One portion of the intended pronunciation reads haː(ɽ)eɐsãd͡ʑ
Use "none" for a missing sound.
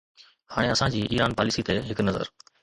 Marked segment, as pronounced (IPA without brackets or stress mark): ɽ